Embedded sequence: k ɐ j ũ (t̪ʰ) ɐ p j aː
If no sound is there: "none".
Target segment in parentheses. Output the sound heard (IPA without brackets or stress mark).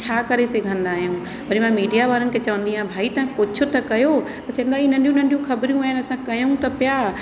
t̪